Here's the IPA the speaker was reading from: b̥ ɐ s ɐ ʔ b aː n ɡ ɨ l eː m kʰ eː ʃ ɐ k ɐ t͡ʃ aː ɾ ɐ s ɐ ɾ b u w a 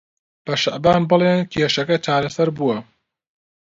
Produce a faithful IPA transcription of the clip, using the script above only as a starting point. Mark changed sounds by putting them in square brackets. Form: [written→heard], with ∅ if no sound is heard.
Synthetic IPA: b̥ ɐ [s→ʃ] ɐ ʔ b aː n [ɡ→b] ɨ l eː [m→n] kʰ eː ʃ ɐ k ɐ t͡ʃ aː ɾ ɐ s ɐ ɾ b u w [a→ɐ]